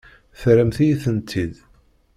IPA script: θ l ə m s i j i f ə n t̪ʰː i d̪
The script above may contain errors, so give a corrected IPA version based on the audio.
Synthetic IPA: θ ɾ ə m θ i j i θ ə n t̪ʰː i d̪